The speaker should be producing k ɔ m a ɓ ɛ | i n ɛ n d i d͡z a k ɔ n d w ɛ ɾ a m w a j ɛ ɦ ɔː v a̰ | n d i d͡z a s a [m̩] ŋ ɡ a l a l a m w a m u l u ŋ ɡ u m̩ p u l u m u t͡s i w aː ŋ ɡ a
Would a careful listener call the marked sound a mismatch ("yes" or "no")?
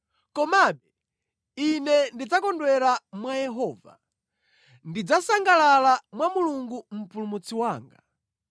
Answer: yes